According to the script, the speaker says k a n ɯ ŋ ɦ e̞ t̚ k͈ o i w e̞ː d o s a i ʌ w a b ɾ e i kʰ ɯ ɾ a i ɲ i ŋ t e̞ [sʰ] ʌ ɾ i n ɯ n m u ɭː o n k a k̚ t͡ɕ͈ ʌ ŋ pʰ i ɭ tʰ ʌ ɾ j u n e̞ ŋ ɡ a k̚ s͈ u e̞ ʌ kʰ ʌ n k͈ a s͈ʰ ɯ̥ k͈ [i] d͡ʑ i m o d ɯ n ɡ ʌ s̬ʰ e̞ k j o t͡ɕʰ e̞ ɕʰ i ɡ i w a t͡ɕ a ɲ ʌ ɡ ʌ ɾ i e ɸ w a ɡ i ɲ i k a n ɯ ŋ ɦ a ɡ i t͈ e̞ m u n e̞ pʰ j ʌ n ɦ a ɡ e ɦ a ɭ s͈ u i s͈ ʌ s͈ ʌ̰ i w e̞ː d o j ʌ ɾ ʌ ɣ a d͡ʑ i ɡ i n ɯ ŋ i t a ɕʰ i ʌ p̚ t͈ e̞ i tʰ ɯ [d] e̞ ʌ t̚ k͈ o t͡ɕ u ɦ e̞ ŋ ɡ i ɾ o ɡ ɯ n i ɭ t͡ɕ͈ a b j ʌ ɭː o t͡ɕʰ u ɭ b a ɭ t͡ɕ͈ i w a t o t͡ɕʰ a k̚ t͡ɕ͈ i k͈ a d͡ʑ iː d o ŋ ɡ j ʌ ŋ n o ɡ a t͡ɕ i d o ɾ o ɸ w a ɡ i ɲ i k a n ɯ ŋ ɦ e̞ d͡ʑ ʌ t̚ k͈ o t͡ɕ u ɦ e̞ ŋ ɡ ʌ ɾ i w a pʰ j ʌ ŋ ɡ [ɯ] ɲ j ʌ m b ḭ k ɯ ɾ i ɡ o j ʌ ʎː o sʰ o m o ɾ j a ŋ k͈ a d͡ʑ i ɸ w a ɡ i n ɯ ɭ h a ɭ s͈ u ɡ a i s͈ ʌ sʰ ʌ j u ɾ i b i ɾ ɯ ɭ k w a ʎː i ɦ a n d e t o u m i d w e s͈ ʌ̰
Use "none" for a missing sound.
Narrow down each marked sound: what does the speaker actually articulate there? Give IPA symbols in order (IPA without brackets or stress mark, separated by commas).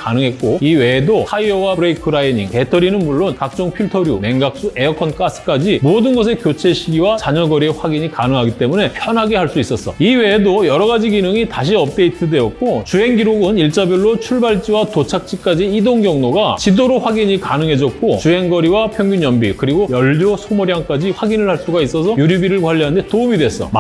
tʰ, a, d, u